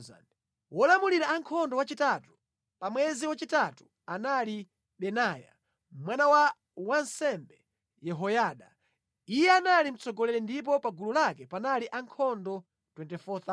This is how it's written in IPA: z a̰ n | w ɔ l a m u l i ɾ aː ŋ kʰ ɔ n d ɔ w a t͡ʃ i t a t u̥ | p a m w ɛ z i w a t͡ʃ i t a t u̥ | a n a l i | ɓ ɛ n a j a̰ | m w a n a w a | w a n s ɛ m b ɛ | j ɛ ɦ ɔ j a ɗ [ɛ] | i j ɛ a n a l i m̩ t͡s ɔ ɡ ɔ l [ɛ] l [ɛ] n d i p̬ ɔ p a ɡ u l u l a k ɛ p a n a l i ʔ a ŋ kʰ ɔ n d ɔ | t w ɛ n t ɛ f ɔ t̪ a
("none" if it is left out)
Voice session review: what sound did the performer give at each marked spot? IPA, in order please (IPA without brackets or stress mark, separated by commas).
a, ɛ, ɛ